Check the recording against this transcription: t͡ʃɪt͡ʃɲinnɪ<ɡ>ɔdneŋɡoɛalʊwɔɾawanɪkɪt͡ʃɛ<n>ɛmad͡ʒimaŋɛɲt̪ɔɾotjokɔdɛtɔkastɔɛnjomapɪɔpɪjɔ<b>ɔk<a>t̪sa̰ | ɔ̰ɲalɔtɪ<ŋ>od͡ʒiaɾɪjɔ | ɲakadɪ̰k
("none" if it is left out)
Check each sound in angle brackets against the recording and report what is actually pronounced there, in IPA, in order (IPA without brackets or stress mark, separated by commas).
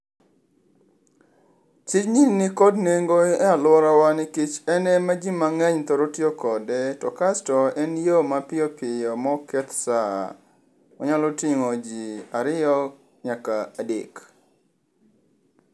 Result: k, n, m, ɛ, ŋ